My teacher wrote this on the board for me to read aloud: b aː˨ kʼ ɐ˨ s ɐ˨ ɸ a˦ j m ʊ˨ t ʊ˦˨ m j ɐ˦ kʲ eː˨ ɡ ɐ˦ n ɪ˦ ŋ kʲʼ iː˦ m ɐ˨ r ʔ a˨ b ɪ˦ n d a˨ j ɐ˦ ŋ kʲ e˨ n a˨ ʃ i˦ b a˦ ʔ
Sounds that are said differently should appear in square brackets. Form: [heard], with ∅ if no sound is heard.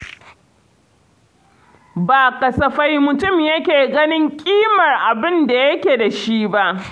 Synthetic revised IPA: b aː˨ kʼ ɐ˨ s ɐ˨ ɸ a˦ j m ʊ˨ t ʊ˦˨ m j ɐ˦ kʲ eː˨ ɡ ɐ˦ n ɪ˦ ŋ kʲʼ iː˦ m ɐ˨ r ʔ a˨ b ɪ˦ n d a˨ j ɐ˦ [∅] kʲ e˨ [d] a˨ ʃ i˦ b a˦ ʔ

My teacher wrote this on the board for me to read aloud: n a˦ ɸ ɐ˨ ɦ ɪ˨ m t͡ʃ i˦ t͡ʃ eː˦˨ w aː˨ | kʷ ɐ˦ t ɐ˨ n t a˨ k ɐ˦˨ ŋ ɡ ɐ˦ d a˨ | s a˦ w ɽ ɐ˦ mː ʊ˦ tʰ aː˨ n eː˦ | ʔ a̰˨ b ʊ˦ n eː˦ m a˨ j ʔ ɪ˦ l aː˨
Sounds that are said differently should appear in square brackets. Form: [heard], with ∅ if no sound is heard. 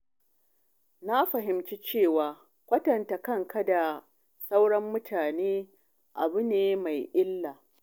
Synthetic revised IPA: n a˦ ɸ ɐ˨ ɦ ɪ˨ m t͡ʃ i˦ t͡ʃ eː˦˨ w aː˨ | kʷ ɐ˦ t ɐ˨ n t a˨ k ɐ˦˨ ŋ [k] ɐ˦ d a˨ | s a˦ w ɽ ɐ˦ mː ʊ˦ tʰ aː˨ n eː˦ | ʔ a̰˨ b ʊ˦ n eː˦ m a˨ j ʔ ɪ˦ [lː] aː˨

